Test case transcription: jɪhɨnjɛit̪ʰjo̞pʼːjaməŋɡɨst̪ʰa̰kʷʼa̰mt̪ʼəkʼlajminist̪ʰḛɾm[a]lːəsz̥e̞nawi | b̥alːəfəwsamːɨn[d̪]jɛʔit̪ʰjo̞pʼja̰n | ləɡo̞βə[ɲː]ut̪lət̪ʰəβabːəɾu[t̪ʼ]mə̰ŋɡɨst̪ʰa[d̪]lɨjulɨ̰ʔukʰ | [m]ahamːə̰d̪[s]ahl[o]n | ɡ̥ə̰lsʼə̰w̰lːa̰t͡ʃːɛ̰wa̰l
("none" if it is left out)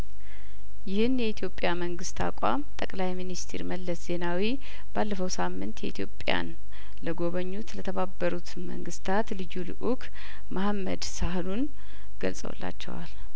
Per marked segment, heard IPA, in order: ə, t̪, ɲː, t̪, t̪, m, s, u

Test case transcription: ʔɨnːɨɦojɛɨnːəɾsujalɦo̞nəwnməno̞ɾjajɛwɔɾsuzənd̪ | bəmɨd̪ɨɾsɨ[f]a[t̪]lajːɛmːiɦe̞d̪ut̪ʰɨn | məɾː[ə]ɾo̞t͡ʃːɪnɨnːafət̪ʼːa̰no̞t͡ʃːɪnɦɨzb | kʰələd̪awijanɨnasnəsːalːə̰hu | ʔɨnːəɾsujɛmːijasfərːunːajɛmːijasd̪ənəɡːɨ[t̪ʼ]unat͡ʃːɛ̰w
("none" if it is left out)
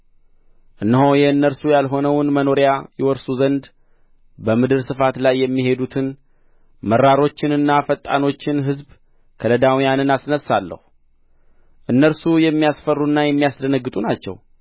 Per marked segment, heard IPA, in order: f, t̪, a, t̪ʼ

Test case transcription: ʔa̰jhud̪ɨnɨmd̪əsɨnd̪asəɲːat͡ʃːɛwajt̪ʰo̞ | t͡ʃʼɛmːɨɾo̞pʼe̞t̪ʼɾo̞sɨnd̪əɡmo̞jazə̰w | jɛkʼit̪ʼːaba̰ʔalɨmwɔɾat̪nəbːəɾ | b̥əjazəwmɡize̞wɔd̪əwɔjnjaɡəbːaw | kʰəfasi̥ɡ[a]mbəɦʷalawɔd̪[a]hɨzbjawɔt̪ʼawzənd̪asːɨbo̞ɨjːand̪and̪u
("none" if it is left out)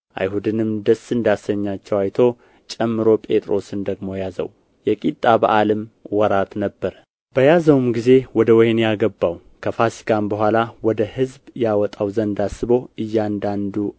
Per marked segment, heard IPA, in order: a, ə

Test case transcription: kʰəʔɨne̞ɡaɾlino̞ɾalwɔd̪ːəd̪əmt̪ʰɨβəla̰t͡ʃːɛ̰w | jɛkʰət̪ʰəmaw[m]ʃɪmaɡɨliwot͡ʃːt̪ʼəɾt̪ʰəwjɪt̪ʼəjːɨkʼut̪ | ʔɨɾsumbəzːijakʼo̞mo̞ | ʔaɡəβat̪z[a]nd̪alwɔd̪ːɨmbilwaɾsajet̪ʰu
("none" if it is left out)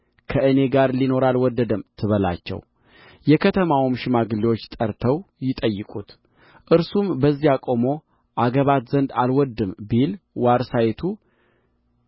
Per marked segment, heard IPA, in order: m, ə

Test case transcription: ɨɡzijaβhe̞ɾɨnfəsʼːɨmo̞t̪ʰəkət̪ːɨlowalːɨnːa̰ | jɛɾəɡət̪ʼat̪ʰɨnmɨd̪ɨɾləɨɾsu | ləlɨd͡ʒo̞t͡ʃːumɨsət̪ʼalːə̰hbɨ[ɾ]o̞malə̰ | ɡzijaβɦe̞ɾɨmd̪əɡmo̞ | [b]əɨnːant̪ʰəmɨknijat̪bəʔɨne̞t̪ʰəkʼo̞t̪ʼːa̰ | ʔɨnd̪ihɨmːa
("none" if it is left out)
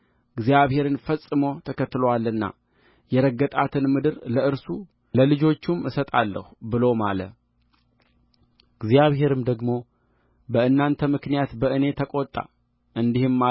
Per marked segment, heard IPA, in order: l, b

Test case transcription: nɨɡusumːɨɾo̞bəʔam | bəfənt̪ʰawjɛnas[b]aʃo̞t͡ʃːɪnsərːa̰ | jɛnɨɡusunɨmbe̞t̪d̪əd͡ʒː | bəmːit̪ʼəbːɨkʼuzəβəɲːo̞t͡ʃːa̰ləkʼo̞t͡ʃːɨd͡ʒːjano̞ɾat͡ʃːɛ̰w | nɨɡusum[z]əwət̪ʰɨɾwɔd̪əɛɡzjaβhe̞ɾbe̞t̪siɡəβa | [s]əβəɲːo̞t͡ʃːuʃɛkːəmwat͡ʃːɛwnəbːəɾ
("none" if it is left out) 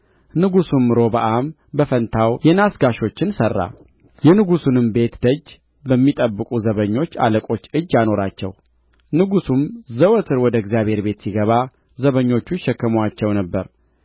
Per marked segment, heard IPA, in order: ɡ, z, z

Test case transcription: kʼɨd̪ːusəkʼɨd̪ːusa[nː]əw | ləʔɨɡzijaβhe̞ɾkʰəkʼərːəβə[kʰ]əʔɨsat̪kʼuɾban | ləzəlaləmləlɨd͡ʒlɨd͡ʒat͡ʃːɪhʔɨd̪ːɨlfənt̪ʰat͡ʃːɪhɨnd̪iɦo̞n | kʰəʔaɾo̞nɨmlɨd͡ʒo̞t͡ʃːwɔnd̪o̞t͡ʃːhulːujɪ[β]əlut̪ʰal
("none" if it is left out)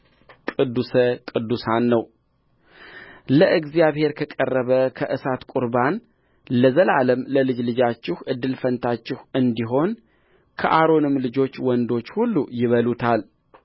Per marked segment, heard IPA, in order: nː, kʰ, β

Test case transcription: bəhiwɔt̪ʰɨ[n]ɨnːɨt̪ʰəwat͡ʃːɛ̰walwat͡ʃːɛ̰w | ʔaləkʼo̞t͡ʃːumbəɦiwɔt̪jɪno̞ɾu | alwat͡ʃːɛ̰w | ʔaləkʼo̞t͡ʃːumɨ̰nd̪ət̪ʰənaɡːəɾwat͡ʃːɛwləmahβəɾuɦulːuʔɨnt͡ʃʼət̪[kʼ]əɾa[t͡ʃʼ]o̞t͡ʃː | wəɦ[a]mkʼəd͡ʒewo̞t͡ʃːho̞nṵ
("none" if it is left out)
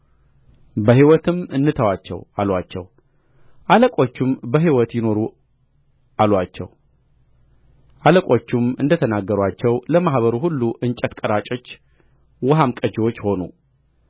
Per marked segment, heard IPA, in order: m, kʼ, t͡ʃʼ, a

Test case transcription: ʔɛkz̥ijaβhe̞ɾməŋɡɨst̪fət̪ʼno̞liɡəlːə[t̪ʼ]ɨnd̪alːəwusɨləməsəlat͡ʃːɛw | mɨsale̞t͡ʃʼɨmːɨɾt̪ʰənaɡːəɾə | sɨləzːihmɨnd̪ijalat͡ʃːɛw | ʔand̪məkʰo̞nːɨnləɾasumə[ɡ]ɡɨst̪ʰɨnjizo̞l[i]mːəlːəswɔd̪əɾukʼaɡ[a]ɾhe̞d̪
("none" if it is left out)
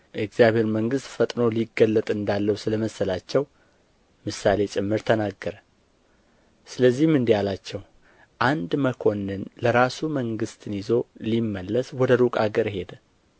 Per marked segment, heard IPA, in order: t̪ʼ, ŋ, i, ə

